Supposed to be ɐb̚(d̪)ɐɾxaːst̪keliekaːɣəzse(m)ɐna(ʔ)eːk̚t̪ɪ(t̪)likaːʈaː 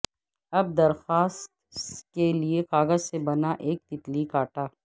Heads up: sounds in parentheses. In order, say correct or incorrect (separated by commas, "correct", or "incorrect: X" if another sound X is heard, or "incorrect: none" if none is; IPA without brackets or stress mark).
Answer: correct, incorrect: b, correct, correct